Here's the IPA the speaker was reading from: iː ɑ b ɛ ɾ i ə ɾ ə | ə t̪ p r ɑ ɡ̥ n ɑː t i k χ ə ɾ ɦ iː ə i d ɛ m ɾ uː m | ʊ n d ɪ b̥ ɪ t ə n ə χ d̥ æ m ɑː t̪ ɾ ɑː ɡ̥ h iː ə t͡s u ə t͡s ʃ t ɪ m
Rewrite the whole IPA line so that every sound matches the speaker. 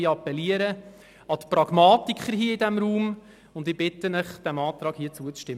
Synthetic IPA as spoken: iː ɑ p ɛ l i ə ɾ ə | ɑ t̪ p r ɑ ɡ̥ m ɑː t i k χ ə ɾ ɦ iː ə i d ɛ m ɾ uː m | ʊ n d ɪ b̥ ɪ t ə n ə χ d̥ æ m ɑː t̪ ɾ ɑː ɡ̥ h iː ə t͡s u ə t͡s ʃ t ɪ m